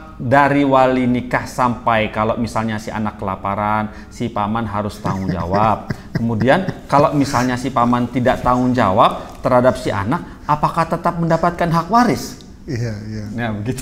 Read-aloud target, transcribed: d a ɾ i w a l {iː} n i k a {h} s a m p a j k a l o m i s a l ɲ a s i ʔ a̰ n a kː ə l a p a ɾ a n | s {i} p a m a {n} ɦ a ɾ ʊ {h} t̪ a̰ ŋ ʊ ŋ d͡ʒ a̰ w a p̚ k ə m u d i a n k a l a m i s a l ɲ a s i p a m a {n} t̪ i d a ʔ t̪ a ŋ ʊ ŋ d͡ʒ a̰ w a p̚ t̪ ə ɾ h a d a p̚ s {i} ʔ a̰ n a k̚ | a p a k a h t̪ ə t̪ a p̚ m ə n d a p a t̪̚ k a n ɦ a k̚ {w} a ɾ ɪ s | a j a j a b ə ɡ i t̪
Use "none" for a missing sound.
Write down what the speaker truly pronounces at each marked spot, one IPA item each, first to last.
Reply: i, h, i, n, s, n, i, w

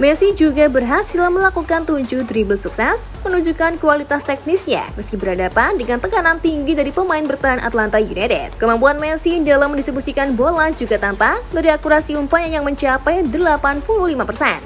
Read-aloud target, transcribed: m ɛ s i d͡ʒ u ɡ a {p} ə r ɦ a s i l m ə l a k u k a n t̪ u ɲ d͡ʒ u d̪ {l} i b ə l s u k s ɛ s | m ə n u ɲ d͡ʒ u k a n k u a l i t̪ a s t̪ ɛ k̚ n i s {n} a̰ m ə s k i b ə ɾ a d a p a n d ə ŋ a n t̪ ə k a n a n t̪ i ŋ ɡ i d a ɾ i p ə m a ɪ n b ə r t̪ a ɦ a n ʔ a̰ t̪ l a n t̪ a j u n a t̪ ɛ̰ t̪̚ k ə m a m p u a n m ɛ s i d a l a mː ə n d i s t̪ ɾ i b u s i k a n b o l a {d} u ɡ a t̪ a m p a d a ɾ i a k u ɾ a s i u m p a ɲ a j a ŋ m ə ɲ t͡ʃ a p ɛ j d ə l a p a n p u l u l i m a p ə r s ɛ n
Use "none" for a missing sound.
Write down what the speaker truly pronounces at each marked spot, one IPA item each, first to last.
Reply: b, ɾ, ɲ, d͡ʒ

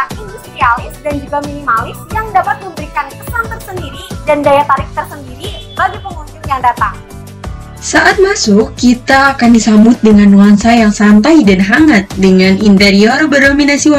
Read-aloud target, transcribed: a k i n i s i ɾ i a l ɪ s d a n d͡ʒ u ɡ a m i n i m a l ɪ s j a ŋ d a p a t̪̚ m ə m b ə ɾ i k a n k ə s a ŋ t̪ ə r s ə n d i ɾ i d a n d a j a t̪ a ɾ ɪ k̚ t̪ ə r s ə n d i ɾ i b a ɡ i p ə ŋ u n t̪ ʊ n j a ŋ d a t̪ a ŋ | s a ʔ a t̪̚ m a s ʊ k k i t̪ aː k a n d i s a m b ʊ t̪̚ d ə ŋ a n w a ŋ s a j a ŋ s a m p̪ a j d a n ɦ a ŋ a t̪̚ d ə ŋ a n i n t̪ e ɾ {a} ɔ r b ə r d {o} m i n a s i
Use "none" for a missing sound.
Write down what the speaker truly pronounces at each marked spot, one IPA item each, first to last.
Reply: i, o

